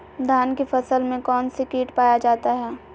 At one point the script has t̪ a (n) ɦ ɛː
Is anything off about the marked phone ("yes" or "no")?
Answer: yes